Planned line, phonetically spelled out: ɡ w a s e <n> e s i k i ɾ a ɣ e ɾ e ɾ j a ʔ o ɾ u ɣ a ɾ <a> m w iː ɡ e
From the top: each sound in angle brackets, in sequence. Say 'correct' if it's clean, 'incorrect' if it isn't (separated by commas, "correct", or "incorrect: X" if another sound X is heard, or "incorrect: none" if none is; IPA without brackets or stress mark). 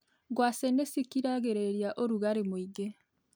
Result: correct, incorrect: e